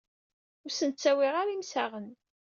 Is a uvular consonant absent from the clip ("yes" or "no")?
no